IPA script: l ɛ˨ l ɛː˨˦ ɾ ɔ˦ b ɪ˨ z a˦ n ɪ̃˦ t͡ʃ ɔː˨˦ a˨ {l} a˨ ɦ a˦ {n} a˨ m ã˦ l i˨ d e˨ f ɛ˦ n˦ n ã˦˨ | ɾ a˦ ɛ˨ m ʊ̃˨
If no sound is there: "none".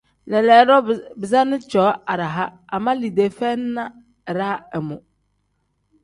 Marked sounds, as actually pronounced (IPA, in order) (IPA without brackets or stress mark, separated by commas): ɾ, none